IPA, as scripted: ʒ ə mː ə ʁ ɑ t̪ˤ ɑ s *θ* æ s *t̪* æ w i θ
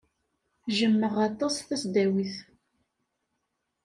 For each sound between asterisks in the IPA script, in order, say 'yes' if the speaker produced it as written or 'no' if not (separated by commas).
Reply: yes, no